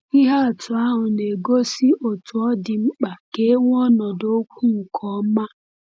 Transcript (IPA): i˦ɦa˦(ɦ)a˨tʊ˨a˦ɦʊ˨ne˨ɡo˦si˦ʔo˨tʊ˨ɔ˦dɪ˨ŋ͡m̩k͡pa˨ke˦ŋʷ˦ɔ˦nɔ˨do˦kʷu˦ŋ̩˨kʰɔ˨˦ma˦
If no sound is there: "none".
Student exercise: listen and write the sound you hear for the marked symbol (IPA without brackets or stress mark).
none